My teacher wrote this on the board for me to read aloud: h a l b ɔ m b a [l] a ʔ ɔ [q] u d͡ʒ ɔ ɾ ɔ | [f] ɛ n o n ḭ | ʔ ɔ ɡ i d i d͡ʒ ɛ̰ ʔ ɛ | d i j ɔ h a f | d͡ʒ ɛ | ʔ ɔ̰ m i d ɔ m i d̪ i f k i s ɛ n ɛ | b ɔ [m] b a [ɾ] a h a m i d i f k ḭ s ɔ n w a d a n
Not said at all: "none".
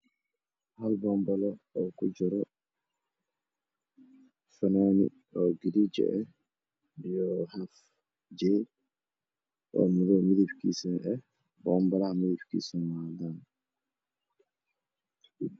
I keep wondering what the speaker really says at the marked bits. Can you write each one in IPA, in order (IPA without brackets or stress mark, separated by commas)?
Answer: l, k, f, m, l